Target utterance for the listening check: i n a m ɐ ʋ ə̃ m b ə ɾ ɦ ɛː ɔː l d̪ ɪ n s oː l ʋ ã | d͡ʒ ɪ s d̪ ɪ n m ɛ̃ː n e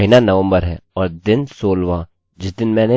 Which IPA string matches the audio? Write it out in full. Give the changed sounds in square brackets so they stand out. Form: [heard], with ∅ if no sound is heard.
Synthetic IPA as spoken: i n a [n] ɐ ʋ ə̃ m b ə ɾ ɦ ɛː ɔː [ɾ] d̪ ɪ n s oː l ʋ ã | d͡ʒ ɪ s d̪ ɪ n m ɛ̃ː n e